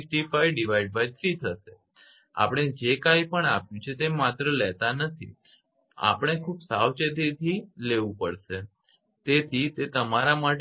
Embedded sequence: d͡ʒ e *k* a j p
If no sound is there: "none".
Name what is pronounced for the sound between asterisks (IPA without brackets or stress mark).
k